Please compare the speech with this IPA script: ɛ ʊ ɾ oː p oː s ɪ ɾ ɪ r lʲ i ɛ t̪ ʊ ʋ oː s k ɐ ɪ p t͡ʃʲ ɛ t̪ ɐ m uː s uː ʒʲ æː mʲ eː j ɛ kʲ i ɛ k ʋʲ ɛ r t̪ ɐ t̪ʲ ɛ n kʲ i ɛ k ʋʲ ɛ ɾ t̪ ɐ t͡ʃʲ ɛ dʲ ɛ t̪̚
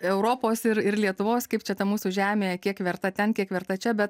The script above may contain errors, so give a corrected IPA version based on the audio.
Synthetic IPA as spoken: ɛ ʊ ɾ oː p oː s ɪ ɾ ɪ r lʲ i ɛ t̪ ʊ ʋ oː s k ɐ ɪ p t͡ʃʲ ɛ t̪ ɐ m uː s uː ʒʲ æː mʲ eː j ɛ kʲ i ɛ k ʋʲ ɛ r t̪ ɐ t̪ʲ ɛ n kʲ i ɛ k ʋʲ ɛ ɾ t̪ ɐ t͡ʃʲ ɛ bʲ ɛ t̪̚